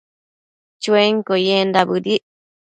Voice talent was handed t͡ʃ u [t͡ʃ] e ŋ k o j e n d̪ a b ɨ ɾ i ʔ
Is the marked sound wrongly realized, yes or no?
yes